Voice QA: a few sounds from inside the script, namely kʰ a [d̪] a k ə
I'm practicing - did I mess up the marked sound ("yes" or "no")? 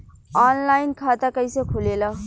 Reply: yes